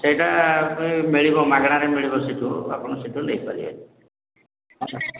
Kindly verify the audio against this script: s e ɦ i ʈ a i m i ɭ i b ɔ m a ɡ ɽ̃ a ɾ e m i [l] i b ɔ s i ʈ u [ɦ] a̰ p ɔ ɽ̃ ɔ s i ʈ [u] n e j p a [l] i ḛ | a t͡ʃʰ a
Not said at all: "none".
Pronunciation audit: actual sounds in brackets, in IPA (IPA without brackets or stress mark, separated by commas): ɭ, none, u, ɾ